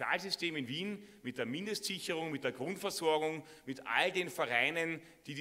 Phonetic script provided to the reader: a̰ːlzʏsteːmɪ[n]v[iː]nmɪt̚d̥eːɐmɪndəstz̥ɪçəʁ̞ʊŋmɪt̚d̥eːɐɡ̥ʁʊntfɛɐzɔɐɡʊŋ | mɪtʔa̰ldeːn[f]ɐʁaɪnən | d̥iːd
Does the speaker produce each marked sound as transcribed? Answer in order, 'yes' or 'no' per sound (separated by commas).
yes, yes, yes